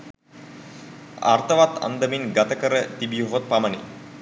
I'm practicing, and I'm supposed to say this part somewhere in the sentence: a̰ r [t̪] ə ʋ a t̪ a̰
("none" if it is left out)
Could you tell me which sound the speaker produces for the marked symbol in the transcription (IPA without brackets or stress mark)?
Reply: t̪